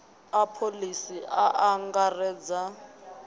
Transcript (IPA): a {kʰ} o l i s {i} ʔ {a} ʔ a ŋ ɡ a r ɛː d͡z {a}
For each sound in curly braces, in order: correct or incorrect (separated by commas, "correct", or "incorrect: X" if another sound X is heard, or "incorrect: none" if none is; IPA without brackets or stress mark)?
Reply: incorrect: pʰ, correct, correct, correct